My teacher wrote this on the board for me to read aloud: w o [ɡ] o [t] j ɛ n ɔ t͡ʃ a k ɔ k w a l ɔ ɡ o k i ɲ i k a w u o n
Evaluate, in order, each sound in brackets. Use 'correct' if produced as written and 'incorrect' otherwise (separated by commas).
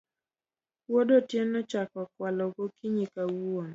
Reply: incorrect, correct